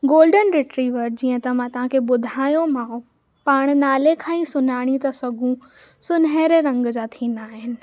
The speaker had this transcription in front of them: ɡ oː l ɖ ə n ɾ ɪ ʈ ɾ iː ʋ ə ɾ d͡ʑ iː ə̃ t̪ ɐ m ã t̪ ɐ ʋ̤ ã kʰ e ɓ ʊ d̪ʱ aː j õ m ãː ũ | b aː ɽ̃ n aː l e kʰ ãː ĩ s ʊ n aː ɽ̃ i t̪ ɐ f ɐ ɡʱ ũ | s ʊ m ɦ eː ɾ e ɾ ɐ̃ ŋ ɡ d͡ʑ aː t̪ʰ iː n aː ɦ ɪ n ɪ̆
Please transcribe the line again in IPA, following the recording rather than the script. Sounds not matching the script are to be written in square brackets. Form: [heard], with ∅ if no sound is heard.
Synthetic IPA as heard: ɡ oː l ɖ ə n ɾ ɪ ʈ ɾ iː ʋ ə ɾ d͡ʑ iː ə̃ t̪ ɐ m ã t̪ ɐ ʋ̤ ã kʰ e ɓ ʊ d̪ʱ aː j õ m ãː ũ | [p] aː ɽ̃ n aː l e kʰ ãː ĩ s ʊ n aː ɽ̃ i t̪ ɐ [s] ɐ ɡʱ ũ | s ʊ [n] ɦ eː ɾ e ɾ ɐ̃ ŋ ɡ d͡ʑ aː t̪ʰ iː n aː ɦ ɪ n ɪ̆

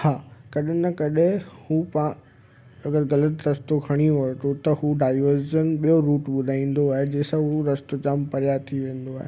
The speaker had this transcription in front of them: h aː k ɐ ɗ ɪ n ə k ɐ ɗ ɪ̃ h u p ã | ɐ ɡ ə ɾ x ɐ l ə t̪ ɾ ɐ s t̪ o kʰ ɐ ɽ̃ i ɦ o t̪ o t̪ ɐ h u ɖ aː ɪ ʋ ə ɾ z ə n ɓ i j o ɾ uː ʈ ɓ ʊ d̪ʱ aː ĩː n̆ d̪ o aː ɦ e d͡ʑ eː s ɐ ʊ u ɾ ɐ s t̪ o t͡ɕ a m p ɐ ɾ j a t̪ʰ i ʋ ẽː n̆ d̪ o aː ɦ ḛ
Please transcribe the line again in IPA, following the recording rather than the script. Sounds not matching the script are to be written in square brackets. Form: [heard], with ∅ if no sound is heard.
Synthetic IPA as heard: h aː k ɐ ɗ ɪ n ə k ɐ ɗ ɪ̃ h u p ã | ɐ ɡ ə ɾ [ɣ] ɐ l ə t̪ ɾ ɐ s t̪ o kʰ ɐ ɽ̃ i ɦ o t̪ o t̪ ɐ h u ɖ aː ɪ ʋ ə ɾ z ə n ɓ i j o ɾ uː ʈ ɓ ʊ d̪ʱ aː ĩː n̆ d̪ o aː ɦ e d͡ʑ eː s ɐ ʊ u ɾ ɐ s t̪ o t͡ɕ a m p ɐ ɾ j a t̪ʰ i ʋ ẽː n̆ d̪ o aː ɦ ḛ

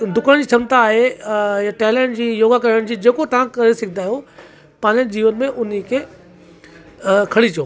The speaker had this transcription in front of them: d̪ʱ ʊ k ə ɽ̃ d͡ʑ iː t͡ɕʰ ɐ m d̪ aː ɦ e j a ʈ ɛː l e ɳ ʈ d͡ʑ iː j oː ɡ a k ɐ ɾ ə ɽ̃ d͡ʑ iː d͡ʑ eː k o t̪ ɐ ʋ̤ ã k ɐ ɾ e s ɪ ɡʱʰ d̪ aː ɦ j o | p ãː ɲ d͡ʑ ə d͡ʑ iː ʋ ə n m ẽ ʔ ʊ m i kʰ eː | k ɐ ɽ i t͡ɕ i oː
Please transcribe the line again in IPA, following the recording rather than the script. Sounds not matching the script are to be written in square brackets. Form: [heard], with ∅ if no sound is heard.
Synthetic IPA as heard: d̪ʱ ʊ k ə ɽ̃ d͡ʑ iː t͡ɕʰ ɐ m [t̪] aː ɦ e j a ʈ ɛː l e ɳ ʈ d͡ʑ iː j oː ɡ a k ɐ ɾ ə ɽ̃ d͡ʑ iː d͡ʑ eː k o t̪ ɐ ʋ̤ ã k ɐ ɾ e s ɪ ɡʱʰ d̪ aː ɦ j o | p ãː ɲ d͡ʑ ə d͡ʑ iː ʋ ə n m ẽ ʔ ʊ [n] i kʰ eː | [kʰ] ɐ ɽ i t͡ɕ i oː

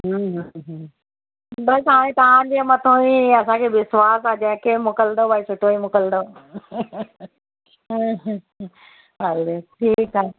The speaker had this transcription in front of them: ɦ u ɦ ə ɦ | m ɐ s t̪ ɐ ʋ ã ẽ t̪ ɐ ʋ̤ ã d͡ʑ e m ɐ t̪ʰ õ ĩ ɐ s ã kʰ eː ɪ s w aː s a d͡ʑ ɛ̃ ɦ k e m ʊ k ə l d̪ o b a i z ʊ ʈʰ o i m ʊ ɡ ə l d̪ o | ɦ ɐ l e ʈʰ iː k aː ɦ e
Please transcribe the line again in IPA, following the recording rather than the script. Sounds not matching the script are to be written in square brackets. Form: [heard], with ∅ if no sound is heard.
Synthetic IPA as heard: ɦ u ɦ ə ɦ | [b] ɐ s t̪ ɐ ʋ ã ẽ t̪ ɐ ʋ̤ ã d͡ʑ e m ɐ t̪ʰ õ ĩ ɐ s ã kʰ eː ɪ s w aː s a d͡ʑ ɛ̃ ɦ k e m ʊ k ə l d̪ o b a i [s] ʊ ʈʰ o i m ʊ [k] ə l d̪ o | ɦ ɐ l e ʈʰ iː k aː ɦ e

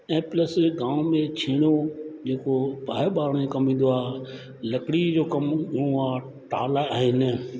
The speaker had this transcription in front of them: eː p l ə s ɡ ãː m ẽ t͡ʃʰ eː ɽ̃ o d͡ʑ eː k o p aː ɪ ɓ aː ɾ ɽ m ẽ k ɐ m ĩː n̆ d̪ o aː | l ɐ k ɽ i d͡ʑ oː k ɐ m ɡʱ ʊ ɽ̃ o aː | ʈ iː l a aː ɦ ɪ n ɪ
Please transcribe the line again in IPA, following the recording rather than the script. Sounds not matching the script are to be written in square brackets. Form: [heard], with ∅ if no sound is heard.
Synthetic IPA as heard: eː p l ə s ɡ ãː m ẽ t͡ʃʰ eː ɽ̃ o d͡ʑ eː k o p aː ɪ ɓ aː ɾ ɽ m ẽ k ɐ m ĩː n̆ d̪ o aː | l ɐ k ɽ i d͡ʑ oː k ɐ m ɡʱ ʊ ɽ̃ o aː | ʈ [aː] l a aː ɦ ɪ n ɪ

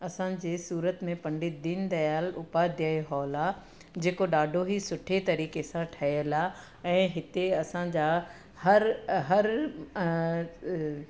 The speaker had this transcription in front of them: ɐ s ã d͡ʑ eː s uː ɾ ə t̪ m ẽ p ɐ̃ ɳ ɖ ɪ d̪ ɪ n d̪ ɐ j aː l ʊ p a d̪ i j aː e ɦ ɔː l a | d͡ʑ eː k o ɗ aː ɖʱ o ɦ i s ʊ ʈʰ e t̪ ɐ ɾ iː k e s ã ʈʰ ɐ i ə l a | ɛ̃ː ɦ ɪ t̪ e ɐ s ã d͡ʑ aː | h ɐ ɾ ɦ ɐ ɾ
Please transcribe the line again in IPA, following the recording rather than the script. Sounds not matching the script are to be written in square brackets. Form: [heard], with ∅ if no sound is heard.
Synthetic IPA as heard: ɐ s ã d͡ʑ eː s uː ɾ ə t̪ m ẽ p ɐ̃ ɳ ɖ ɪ d̪ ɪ n d̪ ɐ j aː l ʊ p a d̪ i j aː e ɦ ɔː l a | d͡ʑ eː k o ɗ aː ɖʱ o ɦ i s ʊ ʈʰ e t̪ ɐ ɾ iː k e s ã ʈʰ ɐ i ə l a | ɛ̃ː ɦ ɪ t̪ e ɐ s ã d͡ʑ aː | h ɐ ɾ ɦ ɐ ɾ

